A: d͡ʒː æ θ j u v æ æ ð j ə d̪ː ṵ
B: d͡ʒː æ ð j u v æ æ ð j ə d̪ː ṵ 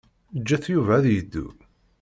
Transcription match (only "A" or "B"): A